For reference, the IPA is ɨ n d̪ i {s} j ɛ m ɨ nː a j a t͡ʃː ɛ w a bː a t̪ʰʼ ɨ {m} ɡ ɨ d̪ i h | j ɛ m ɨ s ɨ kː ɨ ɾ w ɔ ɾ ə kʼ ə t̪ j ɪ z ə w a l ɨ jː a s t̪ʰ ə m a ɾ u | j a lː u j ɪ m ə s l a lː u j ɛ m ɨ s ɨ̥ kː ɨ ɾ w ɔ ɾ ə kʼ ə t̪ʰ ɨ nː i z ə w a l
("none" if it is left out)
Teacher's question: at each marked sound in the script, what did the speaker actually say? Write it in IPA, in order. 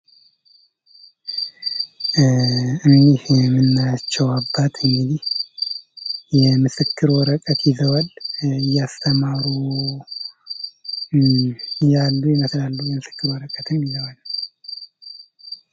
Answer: h, ŋ

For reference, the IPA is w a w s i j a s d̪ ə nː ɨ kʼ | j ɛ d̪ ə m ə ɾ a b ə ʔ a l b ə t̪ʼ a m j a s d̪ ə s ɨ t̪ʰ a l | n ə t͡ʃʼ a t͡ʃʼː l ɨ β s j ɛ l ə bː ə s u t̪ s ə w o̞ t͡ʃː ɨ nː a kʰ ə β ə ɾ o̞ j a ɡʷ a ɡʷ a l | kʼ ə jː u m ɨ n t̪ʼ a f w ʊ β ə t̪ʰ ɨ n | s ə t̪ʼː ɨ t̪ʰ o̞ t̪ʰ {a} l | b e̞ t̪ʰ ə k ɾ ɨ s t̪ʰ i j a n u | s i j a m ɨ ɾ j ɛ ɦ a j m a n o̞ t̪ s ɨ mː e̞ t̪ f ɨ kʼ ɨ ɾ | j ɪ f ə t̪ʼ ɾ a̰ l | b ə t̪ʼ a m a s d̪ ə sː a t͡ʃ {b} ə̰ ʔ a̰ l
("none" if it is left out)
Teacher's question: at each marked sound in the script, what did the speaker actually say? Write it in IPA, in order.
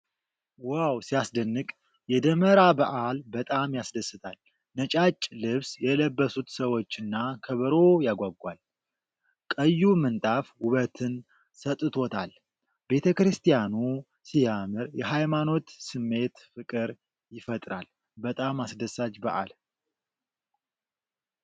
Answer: a, b

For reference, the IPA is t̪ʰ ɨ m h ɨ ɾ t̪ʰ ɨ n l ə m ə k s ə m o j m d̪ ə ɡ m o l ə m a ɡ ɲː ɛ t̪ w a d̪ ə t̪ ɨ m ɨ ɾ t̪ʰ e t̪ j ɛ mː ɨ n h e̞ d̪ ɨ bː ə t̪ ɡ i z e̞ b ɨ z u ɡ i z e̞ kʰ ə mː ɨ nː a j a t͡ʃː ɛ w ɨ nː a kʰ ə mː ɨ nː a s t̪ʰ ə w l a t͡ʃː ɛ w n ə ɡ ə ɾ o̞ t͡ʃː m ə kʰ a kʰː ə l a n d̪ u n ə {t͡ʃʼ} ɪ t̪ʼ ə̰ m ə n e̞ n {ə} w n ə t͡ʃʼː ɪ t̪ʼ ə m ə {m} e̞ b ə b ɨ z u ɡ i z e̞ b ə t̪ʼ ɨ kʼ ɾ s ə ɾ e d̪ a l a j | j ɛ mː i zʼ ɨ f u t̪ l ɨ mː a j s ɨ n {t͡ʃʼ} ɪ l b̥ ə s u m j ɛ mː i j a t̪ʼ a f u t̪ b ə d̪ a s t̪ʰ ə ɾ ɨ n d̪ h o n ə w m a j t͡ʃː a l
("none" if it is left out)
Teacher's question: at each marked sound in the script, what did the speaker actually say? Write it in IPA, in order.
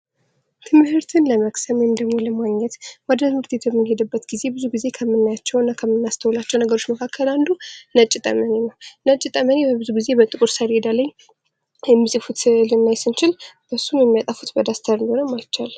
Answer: t͡ʃʼ, ə, n, t͡ʃ

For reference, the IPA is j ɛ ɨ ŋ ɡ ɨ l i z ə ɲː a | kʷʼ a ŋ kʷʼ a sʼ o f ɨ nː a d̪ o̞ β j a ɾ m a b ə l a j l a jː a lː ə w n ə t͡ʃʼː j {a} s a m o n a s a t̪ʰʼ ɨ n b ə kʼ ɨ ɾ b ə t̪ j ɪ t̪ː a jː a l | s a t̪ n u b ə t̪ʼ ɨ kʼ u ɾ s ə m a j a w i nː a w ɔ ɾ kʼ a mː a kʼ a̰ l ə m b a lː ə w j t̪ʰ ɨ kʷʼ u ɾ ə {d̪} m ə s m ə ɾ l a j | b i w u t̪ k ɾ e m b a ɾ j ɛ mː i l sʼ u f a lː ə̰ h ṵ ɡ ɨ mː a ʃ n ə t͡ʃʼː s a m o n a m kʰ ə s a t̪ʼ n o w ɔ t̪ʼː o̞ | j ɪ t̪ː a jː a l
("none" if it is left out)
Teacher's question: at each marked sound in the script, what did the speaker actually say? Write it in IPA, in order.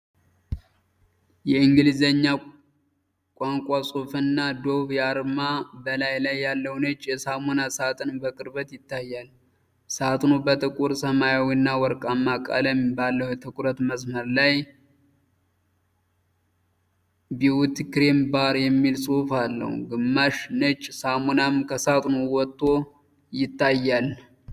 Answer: ɛ, t̪

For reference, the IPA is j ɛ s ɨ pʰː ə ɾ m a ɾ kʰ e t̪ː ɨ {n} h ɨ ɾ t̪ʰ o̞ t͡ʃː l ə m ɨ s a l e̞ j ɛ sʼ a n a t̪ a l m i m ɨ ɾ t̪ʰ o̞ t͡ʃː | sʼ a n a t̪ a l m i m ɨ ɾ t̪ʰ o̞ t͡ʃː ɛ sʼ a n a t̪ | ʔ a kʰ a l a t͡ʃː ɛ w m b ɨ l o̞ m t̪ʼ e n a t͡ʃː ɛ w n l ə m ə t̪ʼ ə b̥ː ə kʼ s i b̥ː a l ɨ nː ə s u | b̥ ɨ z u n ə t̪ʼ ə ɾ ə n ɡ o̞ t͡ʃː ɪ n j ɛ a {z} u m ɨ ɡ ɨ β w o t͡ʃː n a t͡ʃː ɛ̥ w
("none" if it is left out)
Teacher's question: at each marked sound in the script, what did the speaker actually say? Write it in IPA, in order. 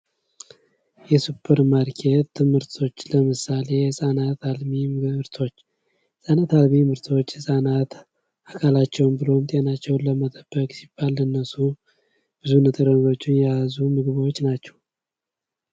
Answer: m, z

